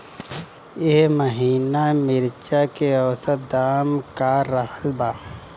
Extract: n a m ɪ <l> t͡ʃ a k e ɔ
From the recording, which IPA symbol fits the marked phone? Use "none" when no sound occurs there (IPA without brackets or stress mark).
ɾ